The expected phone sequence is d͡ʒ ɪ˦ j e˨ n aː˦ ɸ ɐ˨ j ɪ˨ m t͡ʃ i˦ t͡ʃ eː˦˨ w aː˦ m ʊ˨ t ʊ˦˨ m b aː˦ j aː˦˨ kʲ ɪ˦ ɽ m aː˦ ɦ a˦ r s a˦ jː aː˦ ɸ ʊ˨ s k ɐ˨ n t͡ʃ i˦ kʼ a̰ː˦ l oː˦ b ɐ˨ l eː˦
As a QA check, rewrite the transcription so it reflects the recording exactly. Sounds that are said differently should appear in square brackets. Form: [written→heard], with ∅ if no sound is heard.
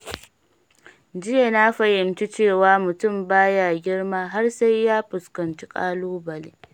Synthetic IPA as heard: d͡ʒ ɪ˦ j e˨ n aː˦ ɸ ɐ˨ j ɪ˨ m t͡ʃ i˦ t͡ʃ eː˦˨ w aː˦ m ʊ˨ t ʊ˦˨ m b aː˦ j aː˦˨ [kʲ→ɡʲ] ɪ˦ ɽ m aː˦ ɦ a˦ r s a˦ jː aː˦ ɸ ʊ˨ s k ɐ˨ n t͡ʃ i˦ kʼ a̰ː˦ l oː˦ b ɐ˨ l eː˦